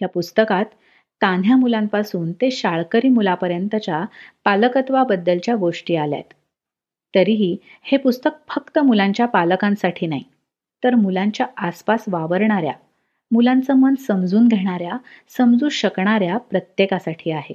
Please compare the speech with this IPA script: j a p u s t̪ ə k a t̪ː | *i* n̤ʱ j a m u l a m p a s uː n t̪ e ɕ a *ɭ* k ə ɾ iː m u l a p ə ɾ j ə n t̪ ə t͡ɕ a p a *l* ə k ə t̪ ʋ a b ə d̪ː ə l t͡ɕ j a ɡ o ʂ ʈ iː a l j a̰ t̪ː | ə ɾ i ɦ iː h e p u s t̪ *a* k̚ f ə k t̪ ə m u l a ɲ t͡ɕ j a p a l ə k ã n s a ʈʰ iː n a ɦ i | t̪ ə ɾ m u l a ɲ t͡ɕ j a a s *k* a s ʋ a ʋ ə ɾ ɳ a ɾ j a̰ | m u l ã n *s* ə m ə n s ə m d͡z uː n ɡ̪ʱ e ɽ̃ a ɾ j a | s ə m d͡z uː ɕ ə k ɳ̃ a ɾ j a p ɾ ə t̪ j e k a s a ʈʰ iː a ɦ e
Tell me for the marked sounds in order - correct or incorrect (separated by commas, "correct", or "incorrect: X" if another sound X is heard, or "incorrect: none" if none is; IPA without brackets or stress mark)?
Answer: incorrect: a, correct, correct, incorrect: ə, incorrect: p, incorrect: t͡s